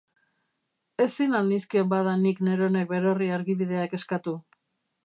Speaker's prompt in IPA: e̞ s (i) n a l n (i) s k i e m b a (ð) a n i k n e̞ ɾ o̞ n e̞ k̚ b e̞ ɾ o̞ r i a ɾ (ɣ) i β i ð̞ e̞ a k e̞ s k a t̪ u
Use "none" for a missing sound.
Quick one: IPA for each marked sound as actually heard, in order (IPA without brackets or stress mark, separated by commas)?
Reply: i, i, ð, ɣ